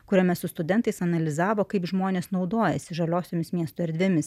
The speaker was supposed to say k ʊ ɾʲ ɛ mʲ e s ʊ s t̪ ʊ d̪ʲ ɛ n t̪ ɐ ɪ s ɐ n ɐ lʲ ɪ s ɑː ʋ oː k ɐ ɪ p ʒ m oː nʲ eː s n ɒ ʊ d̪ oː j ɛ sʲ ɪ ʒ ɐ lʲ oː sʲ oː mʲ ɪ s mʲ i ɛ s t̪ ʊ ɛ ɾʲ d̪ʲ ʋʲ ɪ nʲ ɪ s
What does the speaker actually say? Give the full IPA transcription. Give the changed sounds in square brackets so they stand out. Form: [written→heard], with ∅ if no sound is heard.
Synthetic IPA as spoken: k ʊ ɾʲ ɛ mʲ [e→ɛ] s ʊ s t̪ ʊ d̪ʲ ɛ n t̪ ɐ ɪ s ɐ n ɐ lʲ ɪ [s→z] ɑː ʋ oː k ɐ ɪ p ʒ m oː nʲ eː s n ɒ ʊ d̪ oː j ɛ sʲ ɪ ʒ ɐ lʲ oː sʲ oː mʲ ɪ s mʲ i ɛ s t̪ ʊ ɛ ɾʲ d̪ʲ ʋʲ ɪ [nʲ→mʲ] ɪ s

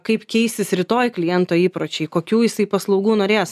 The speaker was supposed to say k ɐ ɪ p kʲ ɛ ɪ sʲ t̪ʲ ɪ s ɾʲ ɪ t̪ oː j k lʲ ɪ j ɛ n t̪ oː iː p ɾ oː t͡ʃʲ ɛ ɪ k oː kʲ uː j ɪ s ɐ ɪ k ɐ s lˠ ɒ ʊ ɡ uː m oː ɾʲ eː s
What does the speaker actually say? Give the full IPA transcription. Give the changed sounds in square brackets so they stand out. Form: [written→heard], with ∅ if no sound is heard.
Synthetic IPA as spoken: k ɐ ɪ p kʲ ɛ ɪ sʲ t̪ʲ ɪ s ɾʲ ɪ t̪ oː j k lʲ ɪ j ɛ n t̪ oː iː p ɾ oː t͡ʃʲ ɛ ɪ k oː kʲ uː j ɪ s ɐ ɪ [k→p] ɐ s lˠ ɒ ʊ ɡ uː [m→n] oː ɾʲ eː s

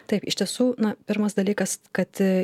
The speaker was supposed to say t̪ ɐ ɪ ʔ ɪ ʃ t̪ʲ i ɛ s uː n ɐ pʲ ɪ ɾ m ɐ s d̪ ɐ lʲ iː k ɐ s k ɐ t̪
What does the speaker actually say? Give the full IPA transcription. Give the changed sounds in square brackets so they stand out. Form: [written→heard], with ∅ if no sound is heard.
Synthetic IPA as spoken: t̪ ɐ ɪ [ʔ→p] ɪ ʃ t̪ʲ i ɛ s uː n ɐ pʲ ɪ ɾ m ɐ s d̪ ɐ lʲ iː k ɐ s k ɐ t̪

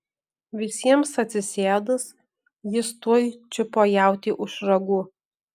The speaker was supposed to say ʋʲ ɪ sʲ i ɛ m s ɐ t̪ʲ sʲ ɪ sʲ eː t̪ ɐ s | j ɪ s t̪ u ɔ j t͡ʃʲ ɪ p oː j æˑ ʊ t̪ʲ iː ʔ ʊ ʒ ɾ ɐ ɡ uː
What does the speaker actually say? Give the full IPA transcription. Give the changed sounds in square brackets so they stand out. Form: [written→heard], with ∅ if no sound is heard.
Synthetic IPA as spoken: ʋʲ ɪ sʲ i ɛ m s ɐ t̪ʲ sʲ ɪ sʲ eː [t̪→d̪] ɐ s | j ɪ s t̪ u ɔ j t͡ʃʲ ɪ p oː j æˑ ʊ t̪ʲ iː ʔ ʊ [ʒ→ʃ] ɾ ɐ ɡ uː

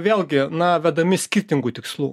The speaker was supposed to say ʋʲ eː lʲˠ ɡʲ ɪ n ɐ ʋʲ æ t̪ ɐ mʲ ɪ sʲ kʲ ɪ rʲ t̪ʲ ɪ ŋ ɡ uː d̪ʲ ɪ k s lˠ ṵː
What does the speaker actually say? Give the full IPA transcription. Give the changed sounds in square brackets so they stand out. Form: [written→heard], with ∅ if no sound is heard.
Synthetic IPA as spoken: ʋʲ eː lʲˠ ɡʲ ɪ n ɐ ʋʲ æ [t̪→d̪] ɐ mʲ ɪ sʲ kʲ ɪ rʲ t̪ʲ ɪ ŋ ɡ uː [d̪ʲ→t̪ʲ] ɪ k s lˠ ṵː

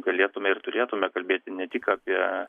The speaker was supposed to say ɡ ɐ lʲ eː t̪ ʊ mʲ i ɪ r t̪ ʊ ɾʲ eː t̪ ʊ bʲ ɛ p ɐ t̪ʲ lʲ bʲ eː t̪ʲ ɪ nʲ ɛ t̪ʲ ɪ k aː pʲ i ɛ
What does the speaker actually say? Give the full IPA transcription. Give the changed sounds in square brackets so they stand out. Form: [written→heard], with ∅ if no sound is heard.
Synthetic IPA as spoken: ɡ ɐ lʲ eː t̪ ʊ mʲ [i→ɛ] ɪ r t̪ ʊ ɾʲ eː t̪ ʊ [bʲ→mʲ] ɛ [p→k] ɐ [t̪ʲ→∅] lʲ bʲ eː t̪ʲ ɪ nʲ ɛ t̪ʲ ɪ k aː pʲ i ɛ

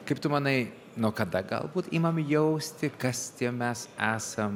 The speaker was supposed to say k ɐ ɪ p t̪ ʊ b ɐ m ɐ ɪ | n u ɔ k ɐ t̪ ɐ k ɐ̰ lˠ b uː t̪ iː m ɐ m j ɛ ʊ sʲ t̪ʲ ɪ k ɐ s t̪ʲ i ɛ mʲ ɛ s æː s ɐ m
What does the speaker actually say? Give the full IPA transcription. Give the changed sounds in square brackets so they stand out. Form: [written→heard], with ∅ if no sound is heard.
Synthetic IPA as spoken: k ɐ ɪ p t̪ ʊ [b→m] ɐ [m→n] ɐ ɪ | n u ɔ k ɐ [t̪→d̪] ɐ [k→ɡ] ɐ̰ lˠ b uː t̪ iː m ɐ m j ɛ ʊ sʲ t̪ʲ ɪ k ɐ s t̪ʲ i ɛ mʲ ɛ s æː s ɐ m

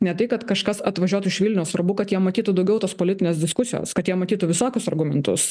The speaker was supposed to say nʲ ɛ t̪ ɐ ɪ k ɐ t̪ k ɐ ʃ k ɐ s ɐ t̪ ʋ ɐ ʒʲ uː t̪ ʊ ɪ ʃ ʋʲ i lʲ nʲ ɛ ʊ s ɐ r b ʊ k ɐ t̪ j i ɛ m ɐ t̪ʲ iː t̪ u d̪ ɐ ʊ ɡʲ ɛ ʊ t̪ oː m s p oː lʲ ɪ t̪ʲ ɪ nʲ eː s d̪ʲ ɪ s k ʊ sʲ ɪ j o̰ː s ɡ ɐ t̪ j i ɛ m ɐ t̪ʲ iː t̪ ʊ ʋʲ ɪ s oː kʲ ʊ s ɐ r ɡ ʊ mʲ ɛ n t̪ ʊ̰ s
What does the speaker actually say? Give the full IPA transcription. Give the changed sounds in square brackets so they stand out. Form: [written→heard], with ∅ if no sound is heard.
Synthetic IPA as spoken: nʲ ɛ t̪ ɐ ɪ k ɐ t̪ k ɐ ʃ k ɐ s ɐ t̪ ʋ ɐ ʒʲ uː t̪ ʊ ɪ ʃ ʋʲ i lʲ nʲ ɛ ʊ s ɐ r b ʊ k ɐ t̪ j i ɛ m ɐ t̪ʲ iː t̪ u d̪ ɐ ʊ ɡʲ ɛ ʊ t̪ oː [m→∅] s p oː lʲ ɪ t̪ʲ ɪ nʲ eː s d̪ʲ ɪ s k ʊ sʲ ɪ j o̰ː s [ɡ→k] ɐ t̪ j i ɛ m ɐ t̪ʲ iː t̪ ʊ ʋʲ ɪ s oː kʲ ʊ s ɐ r ɡ ʊ mʲ ɛ n t̪ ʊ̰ s

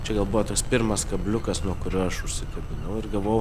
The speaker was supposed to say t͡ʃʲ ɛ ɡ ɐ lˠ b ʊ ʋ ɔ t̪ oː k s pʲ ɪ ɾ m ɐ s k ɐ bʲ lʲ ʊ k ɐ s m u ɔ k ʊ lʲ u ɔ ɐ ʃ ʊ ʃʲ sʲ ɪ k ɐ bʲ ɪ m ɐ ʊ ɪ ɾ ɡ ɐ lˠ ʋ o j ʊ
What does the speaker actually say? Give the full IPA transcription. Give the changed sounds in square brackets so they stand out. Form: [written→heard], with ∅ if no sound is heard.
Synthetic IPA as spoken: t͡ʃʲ ɛ ɡ ɐ lˠ b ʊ ʋ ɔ t̪ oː k s pʲ ɪ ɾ m ɐ s k ɐ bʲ lʲ ʊ k ɐ s [m→n] u ɔ k ʊ [lʲ→ɾʲ] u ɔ ɐ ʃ ʊ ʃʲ sʲ ɪ k ɐ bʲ ɪ [m→n] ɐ ʊ ɪ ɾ ɡ ɐ lˠ ʋ o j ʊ

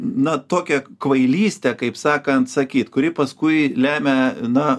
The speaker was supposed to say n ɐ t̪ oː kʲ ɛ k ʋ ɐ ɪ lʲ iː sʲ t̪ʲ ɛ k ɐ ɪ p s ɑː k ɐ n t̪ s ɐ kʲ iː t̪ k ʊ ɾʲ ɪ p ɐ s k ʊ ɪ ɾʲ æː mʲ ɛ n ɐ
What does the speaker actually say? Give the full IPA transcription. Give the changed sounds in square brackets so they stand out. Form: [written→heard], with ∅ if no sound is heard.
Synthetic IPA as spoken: n ɐ t̪ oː kʲ ɛ k ʋ ɐ ɪ lʲ iː sʲ t̪ʲ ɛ k ɐ ɪ p s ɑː k ɐ n t̪ s ɐ kʲ iː t̪ k ʊ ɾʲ ɪ p ɐ s k ʊ ɪ [ɾʲ→lʲ] æː mʲ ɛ n ɐ

